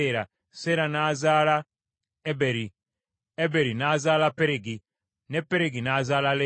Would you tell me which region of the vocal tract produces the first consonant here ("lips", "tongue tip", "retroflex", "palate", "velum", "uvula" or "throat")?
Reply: tongue tip